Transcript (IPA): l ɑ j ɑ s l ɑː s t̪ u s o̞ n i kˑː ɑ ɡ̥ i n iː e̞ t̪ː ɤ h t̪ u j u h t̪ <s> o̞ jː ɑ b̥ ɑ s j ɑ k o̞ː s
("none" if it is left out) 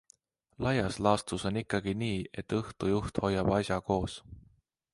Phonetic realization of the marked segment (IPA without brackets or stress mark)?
h